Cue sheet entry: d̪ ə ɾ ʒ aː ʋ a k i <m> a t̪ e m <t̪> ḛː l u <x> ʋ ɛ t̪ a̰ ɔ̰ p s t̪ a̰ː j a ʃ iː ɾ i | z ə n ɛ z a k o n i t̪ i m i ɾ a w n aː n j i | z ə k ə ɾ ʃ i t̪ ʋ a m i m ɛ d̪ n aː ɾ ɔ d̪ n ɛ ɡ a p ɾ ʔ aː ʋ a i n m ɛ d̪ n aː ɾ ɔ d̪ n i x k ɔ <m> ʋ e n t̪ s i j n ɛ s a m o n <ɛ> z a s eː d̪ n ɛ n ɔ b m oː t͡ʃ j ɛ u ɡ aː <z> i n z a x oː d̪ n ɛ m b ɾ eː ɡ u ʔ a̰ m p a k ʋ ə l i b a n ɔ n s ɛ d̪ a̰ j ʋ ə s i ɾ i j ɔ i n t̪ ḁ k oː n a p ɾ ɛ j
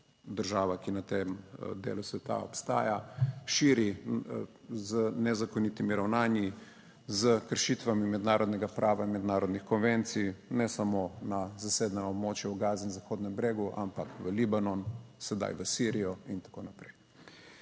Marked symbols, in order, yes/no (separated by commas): no, no, no, no, no, yes